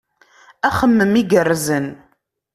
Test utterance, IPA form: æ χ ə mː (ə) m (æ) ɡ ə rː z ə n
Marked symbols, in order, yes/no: yes, no

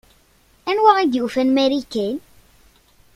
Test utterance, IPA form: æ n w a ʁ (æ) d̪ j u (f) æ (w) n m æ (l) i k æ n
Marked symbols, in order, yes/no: no, yes, no, no

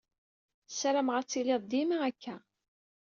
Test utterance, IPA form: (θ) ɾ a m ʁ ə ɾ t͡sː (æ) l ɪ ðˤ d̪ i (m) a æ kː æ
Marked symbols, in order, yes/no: no, no, yes

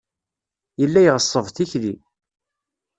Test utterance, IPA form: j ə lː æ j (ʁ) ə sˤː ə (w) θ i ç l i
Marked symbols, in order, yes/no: yes, no

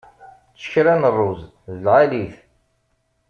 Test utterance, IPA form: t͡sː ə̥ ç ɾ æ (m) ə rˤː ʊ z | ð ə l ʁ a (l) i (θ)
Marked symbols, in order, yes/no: no, yes, yes

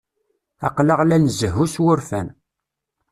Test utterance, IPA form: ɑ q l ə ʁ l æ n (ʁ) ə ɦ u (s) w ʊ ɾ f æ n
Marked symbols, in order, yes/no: no, yes

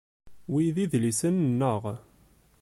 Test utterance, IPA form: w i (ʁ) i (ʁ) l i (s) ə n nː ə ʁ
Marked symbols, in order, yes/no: no, no, yes

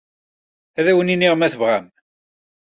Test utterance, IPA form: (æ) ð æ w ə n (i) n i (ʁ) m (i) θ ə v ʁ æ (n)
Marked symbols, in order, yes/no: yes, yes, yes, no, no

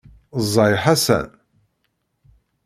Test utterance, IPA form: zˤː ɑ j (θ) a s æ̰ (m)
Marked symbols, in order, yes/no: no, no

